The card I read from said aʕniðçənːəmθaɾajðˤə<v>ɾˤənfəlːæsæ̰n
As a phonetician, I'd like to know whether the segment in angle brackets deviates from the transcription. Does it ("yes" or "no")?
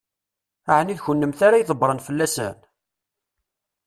yes